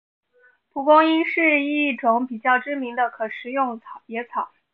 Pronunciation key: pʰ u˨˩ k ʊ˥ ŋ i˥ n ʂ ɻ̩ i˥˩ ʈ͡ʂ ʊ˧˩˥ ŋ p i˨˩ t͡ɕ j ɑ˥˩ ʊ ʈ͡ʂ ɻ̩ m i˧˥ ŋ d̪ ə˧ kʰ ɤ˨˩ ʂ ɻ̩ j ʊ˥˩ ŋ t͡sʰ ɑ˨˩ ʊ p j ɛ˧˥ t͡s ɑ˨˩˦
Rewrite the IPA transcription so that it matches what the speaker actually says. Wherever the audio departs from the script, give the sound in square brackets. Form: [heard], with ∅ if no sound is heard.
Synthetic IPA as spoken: pʰ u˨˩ k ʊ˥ ŋ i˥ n ʂ ɻ̩ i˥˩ ʈ͡ʂ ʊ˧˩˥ ŋ p i˨˩ t͡ɕ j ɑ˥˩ ʊ ʈ͡ʂ ɻ̩ m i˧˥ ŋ d̪ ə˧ kʰ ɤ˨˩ ʂ ɻ̩ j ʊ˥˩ ŋ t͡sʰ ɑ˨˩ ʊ p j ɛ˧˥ [t͡sʰ] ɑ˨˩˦